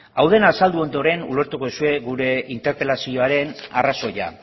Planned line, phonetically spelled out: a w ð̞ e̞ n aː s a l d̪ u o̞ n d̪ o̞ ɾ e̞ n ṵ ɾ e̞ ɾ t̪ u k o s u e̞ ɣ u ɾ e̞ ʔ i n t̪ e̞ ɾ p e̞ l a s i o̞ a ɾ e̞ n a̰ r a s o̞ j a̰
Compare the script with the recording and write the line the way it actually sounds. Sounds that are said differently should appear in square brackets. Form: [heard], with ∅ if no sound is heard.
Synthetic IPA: a w ð̞ e̞ n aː s a l d̪ u o̞ n d̪ o̞ ɾ e̞ n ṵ [l] e̞ ɾ t̪ u k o s u e̞ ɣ u ɾ e̞ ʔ i n t̪ e̞ ɾ p e̞ l a s i o̞ a ɾ e̞ n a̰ r a s o̞ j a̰